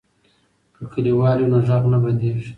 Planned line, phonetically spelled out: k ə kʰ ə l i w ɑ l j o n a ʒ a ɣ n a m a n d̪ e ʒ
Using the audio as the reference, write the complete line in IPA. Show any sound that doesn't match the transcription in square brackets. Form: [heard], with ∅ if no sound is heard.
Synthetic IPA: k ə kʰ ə l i w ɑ l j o n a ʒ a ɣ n a [b] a n d̪ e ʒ